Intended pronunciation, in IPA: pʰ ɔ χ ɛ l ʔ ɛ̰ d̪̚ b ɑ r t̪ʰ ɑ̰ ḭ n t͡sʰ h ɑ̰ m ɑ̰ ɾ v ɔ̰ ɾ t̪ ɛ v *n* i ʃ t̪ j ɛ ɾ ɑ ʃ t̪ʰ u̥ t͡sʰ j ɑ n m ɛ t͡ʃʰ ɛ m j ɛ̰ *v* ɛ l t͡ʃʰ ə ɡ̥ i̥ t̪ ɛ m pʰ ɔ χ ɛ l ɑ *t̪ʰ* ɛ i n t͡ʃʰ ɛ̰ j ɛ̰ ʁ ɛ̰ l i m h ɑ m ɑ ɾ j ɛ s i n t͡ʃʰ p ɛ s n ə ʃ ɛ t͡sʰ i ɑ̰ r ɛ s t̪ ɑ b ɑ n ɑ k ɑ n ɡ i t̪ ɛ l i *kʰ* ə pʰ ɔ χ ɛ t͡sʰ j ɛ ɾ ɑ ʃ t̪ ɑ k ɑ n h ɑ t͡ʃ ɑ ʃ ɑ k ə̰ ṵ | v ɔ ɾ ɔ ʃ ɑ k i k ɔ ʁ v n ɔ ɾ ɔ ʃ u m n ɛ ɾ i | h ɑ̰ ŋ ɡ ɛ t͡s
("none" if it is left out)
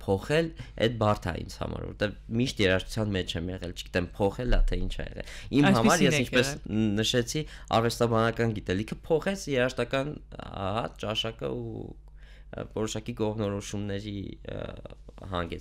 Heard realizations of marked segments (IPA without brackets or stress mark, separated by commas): m, ʁ, t̪ʰ, kʰ